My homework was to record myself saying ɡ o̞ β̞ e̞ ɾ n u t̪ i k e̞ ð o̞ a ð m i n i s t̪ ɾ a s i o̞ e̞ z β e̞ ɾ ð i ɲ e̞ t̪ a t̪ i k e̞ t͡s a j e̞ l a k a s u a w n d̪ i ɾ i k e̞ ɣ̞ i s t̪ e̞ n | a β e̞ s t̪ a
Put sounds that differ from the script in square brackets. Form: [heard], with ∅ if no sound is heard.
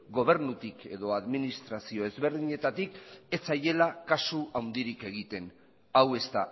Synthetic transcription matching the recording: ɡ o̞ β̞ e̞ ɾ n u t̪ i k e̞ ð o̞ a ð m i n i s t̪ ɾ a s i o̞ e̞ z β e̞ ɾ ð i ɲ e̞ t̪ a t̪ i k e̞ t͡s a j e̞ l a k a s u a w n d̪ i ɾ i k e̞ ɣ̞ i [∅] t̪ e̞ n | a [w] e̞ s t̪ a